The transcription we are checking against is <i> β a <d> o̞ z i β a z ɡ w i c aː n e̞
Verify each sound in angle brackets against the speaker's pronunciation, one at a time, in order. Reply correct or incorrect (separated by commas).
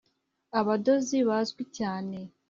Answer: incorrect, correct